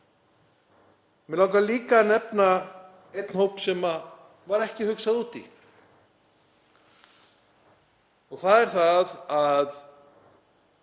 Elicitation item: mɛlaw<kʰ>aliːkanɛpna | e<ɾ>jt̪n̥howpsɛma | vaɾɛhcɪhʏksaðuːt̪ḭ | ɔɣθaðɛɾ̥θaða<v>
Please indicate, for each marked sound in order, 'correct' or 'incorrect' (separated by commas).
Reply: incorrect, incorrect, incorrect